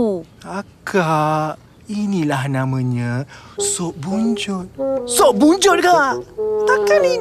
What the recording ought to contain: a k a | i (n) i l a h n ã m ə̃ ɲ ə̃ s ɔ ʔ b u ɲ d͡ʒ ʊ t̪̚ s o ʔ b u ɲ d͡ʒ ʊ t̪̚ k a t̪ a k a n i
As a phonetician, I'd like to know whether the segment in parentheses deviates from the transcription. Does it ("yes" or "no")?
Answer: no